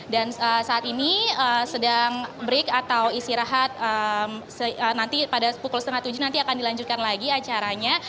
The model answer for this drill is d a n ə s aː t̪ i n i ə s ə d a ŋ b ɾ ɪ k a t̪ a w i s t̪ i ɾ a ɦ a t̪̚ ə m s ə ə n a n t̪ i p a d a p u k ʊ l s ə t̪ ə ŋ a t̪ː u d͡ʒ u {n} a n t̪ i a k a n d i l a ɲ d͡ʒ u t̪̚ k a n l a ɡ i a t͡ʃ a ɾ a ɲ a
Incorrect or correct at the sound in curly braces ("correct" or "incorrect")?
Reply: correct